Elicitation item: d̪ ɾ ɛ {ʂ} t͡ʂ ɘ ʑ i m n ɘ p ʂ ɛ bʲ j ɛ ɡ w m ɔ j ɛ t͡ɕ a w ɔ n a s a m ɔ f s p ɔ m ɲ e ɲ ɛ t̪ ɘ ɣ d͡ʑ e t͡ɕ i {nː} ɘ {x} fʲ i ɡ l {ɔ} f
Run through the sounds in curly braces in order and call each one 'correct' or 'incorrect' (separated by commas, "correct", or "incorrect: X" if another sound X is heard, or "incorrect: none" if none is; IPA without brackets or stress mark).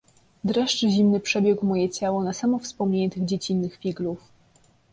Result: correct, correct, correct, incorrect: u